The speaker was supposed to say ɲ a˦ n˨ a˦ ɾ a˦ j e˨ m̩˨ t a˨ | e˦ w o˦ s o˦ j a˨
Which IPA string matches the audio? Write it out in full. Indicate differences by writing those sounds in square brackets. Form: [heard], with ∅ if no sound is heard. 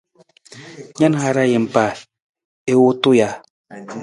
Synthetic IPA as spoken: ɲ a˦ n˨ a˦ ɾ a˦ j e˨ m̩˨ [p] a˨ | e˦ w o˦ [t] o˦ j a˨